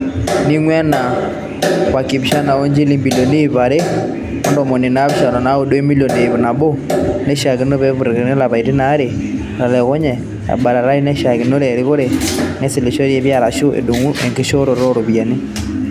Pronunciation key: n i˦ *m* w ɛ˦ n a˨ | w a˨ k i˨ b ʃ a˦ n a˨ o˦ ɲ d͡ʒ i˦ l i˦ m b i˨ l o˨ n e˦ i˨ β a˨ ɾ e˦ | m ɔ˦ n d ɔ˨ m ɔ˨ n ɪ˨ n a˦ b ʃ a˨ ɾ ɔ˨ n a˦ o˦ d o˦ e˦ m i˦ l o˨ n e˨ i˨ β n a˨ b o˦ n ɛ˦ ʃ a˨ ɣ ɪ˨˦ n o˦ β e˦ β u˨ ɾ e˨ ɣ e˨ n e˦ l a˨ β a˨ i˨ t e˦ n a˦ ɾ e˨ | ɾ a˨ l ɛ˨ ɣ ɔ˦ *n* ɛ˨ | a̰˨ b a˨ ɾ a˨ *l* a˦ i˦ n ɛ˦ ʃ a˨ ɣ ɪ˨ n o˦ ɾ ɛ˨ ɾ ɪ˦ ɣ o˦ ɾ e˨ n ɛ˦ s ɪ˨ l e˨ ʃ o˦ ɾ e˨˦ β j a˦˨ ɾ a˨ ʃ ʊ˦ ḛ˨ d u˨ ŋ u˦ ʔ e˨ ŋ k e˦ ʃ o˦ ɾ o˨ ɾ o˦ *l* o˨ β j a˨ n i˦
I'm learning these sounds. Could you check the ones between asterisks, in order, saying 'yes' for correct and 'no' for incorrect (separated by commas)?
no, no, no, no